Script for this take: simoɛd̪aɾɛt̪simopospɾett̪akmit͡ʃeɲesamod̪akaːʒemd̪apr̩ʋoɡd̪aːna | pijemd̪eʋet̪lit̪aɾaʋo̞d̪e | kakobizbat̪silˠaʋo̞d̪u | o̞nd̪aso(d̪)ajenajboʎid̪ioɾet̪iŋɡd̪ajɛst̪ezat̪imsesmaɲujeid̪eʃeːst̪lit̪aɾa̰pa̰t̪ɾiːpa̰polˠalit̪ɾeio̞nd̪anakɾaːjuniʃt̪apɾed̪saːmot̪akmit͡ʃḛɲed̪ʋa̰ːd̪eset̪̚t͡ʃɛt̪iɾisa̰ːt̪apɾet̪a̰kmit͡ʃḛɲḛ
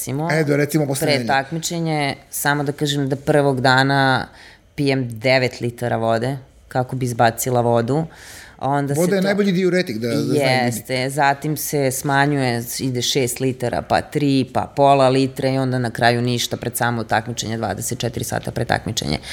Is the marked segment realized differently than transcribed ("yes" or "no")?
no